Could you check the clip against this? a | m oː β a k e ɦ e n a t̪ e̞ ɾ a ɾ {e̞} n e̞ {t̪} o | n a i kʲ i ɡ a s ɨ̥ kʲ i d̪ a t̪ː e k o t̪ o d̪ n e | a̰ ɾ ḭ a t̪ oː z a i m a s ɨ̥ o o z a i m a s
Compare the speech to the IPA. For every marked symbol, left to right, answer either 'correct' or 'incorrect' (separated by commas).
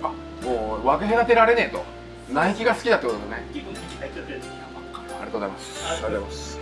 correct, correct